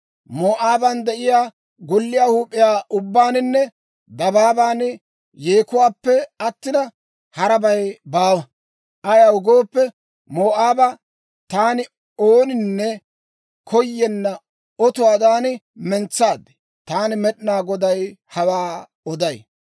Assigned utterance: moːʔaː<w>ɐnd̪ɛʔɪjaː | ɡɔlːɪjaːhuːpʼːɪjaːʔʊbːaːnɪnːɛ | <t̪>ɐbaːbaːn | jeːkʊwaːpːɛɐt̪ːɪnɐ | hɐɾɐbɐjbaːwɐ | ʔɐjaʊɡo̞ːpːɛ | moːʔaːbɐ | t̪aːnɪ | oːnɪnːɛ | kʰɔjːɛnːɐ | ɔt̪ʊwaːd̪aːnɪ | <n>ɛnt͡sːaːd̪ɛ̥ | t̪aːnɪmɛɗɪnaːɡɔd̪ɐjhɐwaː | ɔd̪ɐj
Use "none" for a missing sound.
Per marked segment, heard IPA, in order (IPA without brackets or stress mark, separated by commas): b, d̪, m